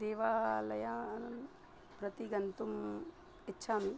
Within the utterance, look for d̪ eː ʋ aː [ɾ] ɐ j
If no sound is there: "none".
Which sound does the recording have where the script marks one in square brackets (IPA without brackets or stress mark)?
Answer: l